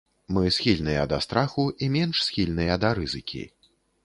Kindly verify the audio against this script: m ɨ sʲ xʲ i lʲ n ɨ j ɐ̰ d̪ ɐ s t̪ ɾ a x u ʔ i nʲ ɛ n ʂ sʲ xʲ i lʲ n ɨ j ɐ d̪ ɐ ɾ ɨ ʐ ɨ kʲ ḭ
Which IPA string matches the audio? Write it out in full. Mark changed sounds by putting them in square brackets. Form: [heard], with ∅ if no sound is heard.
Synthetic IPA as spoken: m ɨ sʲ xʲ i lʲ n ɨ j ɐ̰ d̪ ɐ s t̪ ɾ a x u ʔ i [mʲ] ɛ n ʂ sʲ xʲ i lʲ n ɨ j ɐ d̪ ɐ ɾ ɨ [z] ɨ kʲ ḭ